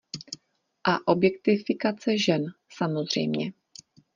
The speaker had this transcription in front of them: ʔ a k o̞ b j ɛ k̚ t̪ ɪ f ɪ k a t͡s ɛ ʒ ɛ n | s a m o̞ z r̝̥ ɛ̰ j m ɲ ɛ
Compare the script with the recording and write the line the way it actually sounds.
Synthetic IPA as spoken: ʔ a ʔ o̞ b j ɛ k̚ t̪ ɪ f ɪ k a t͡s ɛ ʒ ɛ n | s a m o̞ z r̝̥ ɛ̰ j m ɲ ɛ